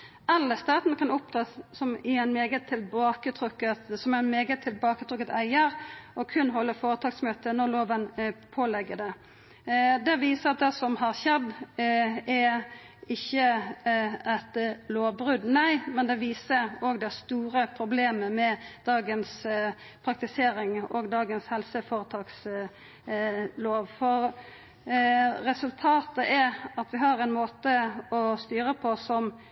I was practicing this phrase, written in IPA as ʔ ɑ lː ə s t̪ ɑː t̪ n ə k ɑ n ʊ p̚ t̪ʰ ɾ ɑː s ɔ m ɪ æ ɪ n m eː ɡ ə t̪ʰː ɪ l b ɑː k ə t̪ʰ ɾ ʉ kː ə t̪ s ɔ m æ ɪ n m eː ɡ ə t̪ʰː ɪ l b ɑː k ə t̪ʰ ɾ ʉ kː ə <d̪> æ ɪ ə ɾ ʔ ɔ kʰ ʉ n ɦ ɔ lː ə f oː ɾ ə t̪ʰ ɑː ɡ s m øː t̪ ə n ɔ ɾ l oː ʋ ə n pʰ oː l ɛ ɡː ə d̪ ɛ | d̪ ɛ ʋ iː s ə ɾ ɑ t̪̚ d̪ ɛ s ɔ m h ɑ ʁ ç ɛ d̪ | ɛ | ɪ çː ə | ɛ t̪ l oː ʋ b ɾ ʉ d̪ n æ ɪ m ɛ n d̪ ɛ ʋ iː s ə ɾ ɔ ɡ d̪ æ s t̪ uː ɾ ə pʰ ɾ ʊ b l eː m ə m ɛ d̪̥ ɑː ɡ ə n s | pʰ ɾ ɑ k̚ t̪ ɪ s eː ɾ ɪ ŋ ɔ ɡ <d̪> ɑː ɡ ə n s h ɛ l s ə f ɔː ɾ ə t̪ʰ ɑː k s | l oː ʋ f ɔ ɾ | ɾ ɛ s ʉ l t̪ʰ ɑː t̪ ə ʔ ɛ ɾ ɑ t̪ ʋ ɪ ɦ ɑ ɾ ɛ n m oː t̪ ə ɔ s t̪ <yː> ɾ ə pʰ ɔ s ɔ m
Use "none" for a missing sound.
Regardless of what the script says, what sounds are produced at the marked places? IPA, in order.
t̪, d̪, yː

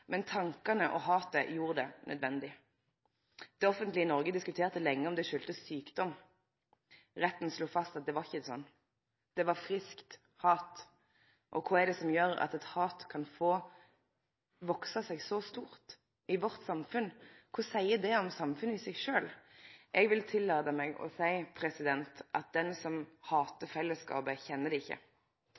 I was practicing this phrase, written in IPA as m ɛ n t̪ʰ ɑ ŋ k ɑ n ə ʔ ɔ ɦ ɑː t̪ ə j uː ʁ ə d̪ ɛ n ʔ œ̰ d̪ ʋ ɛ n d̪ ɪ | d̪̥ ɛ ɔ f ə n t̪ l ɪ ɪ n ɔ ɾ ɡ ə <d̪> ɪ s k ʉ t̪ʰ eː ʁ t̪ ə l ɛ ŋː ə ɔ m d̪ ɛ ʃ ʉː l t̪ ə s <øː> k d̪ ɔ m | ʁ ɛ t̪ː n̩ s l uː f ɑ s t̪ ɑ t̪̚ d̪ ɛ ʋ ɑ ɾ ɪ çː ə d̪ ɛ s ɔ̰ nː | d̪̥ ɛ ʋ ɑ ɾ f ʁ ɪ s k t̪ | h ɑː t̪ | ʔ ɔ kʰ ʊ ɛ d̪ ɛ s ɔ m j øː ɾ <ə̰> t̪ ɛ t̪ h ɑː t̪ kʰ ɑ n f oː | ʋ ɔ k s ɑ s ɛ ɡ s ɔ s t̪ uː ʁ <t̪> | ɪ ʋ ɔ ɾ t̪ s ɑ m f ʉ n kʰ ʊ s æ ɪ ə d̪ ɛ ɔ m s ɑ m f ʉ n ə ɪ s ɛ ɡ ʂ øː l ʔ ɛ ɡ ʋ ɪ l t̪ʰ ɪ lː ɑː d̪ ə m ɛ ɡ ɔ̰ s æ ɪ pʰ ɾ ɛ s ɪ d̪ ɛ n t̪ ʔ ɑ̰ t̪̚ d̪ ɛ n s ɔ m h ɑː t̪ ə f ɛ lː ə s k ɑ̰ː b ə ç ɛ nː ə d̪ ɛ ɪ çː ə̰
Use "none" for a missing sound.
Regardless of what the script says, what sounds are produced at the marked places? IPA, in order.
d̪, yː, ɑ̰, t̪

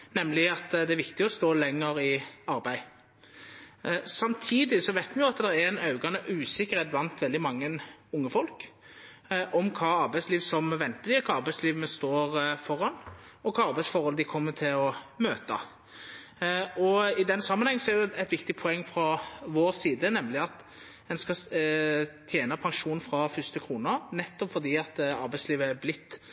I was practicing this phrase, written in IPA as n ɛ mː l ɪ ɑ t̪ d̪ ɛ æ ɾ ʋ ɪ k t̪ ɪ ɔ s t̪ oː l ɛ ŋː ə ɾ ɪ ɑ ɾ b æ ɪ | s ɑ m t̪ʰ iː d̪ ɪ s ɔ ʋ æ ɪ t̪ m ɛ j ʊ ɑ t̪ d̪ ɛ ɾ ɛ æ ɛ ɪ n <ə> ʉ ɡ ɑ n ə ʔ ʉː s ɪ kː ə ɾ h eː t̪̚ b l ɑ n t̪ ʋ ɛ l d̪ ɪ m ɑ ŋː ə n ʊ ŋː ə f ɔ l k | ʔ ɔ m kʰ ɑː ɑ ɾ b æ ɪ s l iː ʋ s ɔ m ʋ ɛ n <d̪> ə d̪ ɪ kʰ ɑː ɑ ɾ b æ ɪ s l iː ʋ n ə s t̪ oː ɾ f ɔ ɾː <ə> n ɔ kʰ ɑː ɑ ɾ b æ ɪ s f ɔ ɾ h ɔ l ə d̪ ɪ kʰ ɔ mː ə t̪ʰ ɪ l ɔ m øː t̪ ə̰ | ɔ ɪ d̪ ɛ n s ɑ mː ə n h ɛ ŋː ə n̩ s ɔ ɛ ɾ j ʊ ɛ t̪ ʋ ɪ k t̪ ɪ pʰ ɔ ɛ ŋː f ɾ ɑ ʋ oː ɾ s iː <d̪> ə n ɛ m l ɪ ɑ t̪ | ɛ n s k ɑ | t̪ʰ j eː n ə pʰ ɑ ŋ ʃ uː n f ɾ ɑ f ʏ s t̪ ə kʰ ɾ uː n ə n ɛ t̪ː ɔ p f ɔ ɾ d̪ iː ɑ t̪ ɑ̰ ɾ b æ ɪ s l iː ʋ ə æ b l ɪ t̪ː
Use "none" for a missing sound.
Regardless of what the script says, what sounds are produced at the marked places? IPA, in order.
ɑ, t̪, ɑ, d̪

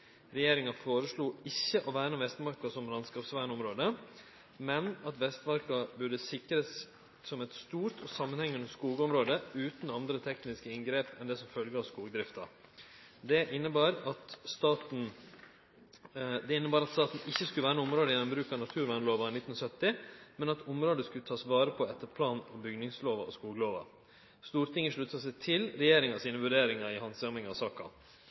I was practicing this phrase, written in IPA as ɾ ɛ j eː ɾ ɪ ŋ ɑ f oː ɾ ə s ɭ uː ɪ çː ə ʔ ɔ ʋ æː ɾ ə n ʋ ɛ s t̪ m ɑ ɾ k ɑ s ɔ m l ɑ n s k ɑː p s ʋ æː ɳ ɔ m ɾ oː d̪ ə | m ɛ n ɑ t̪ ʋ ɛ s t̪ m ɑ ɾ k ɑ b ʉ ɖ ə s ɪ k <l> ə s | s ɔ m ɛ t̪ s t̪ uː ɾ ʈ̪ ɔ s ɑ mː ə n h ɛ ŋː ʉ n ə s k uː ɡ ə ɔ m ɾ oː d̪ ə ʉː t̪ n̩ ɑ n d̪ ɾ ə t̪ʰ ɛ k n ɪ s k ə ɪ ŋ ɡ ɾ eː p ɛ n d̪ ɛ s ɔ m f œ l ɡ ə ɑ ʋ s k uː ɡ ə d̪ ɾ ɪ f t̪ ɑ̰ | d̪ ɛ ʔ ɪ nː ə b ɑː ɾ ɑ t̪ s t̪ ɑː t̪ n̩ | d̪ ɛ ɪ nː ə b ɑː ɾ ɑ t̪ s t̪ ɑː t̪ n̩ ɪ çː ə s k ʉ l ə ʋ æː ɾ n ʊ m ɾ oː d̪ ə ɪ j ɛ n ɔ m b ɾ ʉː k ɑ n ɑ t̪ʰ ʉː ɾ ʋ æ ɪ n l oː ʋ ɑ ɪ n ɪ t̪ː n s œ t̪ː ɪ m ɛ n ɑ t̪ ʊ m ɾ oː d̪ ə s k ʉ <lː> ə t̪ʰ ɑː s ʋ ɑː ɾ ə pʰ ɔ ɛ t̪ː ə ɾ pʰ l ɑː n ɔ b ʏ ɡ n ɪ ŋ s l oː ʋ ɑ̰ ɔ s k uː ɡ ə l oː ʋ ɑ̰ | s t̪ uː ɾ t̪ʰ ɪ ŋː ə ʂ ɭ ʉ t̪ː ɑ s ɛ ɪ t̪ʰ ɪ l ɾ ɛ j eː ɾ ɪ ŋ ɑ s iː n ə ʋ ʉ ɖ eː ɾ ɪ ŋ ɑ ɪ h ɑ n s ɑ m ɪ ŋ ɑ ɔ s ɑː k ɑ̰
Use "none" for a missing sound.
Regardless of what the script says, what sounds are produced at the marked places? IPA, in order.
ɾ, l

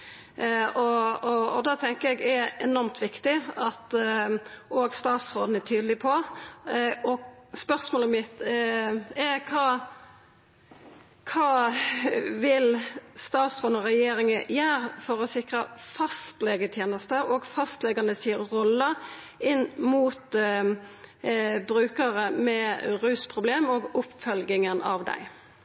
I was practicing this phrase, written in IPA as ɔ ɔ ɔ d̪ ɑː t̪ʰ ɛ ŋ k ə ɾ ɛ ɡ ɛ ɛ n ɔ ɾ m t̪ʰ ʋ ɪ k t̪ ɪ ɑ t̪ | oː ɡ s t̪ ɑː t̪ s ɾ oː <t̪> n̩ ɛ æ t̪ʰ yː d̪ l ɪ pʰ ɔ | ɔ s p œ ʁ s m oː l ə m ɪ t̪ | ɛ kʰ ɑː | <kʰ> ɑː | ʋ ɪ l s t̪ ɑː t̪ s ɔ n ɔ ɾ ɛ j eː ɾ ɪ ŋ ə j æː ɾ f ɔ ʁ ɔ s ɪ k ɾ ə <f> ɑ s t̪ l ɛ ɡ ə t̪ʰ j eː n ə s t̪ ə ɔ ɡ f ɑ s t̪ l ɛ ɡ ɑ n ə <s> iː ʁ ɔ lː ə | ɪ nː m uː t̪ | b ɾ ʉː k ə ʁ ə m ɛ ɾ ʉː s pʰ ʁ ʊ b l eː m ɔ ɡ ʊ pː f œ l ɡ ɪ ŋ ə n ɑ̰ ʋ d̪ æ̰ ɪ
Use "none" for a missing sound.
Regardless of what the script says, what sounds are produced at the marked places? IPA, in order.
d̪, kʰ, f, s

